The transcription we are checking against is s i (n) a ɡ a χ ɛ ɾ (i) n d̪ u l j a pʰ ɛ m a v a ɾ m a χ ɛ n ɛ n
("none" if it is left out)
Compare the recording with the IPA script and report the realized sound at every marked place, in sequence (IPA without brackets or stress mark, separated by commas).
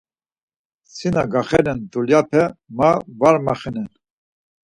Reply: n, ɛ